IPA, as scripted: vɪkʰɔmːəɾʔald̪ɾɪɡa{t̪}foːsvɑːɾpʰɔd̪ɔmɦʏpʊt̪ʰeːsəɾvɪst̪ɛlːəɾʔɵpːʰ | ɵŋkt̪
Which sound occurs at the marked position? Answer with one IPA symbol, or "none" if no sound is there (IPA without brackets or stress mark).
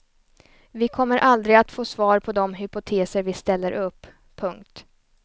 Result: t̪